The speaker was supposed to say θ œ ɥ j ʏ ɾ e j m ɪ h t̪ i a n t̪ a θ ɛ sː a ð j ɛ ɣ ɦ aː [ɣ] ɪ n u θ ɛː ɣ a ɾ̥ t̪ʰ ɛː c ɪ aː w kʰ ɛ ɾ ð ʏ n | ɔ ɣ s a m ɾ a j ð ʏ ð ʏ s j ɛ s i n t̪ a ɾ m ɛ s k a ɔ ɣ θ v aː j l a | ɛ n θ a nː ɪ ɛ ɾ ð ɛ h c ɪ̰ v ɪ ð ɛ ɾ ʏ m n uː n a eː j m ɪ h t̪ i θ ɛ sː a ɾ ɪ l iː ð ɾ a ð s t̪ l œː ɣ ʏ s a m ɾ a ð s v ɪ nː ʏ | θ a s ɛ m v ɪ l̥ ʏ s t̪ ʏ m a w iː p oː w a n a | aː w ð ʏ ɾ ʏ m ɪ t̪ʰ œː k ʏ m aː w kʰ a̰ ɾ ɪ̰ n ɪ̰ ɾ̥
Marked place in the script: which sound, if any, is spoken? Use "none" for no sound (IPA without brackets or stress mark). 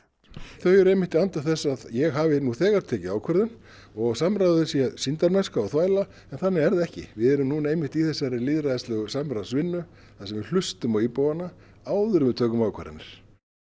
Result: v